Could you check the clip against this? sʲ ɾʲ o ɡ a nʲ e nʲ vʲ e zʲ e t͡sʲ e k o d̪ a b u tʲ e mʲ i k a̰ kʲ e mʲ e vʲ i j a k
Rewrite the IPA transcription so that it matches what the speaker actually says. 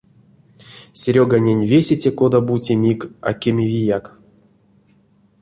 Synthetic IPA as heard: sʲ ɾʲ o ɡ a nʲ e nʲ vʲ e sʲ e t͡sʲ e k o d̪ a b u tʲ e mʲ i k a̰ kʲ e mʲ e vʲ i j a k